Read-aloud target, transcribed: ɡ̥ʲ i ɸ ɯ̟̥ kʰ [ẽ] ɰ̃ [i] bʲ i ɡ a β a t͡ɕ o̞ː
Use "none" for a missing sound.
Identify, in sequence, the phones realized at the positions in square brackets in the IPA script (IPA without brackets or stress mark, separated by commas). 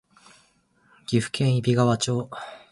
ẽ, i